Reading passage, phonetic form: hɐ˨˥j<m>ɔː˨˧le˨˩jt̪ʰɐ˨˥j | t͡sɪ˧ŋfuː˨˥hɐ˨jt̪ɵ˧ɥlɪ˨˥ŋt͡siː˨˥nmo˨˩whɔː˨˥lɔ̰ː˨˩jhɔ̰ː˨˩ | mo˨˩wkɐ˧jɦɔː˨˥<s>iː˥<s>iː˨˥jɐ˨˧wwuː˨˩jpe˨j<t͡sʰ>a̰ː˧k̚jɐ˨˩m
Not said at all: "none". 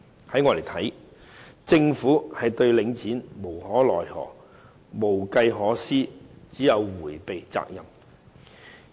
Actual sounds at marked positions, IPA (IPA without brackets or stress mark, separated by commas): ŋ, s, t͡s, t͡s